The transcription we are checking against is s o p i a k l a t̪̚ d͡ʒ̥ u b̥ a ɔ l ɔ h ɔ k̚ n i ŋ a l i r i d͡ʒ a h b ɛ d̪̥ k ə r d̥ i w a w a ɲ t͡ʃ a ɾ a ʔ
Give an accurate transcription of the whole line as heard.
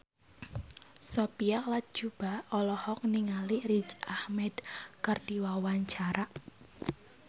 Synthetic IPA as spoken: s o p i a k l a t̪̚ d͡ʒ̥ u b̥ a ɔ l ɔ h ɔ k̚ n i ŋ a l i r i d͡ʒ a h m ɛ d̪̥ k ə r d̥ i w a w a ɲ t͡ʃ a ɾ a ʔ